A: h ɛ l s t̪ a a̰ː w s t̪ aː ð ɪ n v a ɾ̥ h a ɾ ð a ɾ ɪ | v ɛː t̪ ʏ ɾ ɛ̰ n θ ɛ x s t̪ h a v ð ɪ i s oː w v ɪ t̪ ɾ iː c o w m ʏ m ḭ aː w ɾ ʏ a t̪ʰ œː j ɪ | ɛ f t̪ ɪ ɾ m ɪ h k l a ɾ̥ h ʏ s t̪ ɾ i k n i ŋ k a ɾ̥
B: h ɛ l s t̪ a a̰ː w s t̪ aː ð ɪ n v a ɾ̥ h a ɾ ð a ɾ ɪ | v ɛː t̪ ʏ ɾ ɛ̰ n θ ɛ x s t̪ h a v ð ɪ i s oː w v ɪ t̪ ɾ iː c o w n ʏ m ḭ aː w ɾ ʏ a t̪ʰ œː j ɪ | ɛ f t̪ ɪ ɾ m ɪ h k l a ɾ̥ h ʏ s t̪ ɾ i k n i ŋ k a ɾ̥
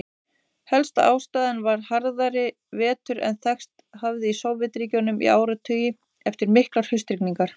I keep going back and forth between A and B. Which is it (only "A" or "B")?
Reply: B